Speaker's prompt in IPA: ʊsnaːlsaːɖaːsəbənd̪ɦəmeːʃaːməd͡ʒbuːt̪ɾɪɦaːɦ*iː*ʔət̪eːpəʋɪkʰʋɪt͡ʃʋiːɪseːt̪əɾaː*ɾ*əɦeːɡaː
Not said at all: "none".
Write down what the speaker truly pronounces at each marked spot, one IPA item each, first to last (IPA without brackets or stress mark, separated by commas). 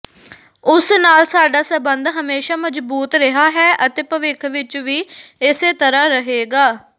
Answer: ɛː, ɾ